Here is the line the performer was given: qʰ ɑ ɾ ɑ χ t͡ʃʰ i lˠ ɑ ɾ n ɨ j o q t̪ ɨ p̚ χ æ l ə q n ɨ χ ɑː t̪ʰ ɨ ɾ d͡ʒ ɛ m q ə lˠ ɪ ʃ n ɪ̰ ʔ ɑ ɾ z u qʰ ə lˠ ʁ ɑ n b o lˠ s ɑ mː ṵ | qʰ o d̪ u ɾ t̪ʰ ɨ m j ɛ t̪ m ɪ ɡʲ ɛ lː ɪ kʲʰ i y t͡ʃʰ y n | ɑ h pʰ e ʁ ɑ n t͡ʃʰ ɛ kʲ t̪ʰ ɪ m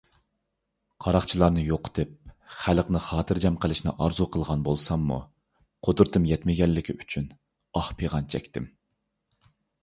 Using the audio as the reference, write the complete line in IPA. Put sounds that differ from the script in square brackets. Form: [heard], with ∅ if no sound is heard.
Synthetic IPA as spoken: qʰ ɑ ɾ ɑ χ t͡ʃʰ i lˠ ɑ ɾ n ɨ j o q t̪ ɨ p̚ χ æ l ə q n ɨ χ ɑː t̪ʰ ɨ ɾ d͡ʒ ɛ m q ə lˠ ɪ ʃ n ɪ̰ ʔ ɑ ɾ z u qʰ ə lˠ ʁ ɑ n b o lˠ s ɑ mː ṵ | qʰ o d̪ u ɾ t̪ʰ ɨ m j ɛ t̪ m ɪ ɡʲ ɛ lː ɪ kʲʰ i y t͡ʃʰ y n | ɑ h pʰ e ʁ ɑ n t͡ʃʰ ɛ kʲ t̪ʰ ɪ m